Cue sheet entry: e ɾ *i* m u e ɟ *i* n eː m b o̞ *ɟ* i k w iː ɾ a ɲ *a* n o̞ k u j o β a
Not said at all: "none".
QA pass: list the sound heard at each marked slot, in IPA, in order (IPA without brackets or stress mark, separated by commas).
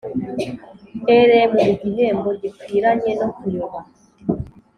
e, i, ɟ, e